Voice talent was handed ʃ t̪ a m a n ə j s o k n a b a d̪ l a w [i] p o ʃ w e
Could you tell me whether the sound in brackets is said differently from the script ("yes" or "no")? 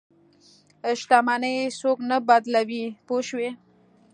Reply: no